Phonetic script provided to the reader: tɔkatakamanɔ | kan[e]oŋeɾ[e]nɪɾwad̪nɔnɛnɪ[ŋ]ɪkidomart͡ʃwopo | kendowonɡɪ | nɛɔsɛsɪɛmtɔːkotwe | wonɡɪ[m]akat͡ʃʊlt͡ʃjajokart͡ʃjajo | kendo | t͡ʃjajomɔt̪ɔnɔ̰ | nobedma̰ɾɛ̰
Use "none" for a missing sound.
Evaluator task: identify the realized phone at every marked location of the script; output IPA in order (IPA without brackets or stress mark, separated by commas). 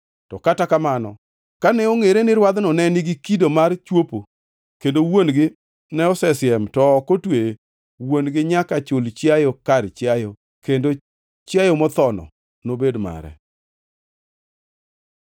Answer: ɛ, e, ɡ, ɲ